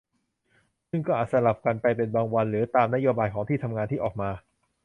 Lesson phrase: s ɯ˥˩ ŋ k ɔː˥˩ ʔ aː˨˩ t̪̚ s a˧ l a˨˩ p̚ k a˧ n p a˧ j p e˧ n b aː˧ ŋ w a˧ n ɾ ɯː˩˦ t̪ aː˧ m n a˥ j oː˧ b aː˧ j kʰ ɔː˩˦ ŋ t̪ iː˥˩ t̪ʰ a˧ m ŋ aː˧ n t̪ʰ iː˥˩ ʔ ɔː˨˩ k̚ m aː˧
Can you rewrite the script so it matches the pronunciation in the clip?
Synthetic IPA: s ɯ˥˩ ŋ k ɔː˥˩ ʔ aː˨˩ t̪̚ s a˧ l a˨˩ p̚ k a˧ n p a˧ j p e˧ n b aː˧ ŋ w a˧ n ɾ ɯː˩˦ t̪ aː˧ m n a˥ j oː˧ b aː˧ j kʰ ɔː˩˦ ŋ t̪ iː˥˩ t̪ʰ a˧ m ŋ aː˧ n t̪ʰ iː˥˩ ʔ ɔː˨˩ k̚ m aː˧